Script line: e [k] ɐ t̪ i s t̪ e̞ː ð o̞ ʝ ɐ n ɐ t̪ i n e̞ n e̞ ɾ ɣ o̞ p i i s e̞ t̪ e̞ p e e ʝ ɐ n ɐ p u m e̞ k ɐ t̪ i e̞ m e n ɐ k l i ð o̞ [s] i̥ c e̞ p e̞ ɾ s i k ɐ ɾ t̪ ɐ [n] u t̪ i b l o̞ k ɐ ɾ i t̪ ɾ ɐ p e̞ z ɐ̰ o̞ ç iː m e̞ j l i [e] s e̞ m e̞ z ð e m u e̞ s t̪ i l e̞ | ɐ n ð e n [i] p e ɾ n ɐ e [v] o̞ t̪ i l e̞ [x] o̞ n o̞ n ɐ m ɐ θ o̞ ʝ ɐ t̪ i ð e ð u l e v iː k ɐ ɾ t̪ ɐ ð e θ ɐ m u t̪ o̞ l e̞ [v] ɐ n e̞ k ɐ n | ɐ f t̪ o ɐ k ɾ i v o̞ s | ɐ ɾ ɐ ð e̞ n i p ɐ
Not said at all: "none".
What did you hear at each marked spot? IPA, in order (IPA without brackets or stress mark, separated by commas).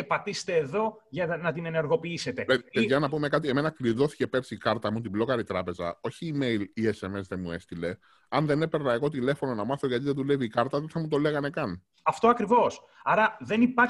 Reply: p, θ, m, e, e, ɣ, f, ɣ